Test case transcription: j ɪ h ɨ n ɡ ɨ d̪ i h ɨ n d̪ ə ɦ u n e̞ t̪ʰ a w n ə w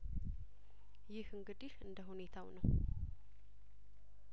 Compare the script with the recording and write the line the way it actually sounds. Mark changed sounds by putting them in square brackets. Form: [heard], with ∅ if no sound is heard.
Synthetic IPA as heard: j ɪ h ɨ [ŋ] ɡ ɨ d̪ i h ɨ n d̪ ə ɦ u n e̞ t̪ʰ a w n ə w